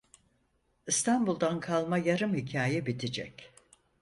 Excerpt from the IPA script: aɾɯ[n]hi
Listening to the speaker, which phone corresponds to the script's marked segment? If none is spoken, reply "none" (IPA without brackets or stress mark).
m